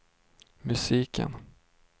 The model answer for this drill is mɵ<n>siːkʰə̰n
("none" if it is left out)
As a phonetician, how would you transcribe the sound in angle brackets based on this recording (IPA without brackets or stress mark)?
none